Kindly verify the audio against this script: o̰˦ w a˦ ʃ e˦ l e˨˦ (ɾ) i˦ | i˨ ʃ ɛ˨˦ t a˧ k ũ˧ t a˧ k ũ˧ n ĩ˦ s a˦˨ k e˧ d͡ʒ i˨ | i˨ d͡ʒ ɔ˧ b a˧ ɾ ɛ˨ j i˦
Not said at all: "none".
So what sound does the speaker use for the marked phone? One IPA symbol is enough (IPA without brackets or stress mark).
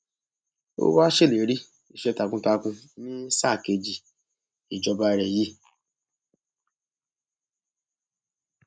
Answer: ɾ